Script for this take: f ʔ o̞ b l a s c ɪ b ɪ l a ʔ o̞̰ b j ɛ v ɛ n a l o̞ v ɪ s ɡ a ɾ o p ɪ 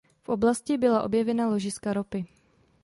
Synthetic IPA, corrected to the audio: f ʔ o̞ b l a s c ɪ b ɪ l a ʔ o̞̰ b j ɛ v ɛ n a l o̞ ʒ ɪ s k a ɾ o p ɪ